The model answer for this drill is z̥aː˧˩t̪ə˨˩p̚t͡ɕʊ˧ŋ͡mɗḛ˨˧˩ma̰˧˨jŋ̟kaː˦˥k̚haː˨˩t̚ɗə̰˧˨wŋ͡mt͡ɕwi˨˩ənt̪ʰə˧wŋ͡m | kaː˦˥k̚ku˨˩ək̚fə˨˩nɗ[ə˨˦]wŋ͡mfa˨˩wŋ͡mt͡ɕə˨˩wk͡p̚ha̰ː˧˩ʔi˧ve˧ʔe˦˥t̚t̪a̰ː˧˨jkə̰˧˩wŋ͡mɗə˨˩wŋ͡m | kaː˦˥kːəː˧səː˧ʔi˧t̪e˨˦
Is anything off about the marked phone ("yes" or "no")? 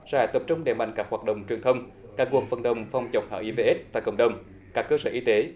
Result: yes